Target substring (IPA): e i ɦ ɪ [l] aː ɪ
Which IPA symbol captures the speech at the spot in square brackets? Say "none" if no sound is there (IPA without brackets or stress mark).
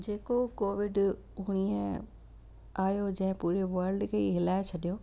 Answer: l